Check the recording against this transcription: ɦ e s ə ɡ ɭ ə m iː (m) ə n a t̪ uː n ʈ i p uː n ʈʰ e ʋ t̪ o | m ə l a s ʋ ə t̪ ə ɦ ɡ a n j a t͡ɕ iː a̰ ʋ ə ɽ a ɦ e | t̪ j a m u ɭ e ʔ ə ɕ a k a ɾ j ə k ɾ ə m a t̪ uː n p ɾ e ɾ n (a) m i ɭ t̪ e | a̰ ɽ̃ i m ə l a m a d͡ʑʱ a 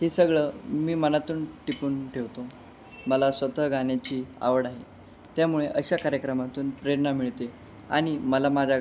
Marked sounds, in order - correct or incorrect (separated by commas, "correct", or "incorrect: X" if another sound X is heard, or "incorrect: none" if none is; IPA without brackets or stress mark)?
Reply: correct, correct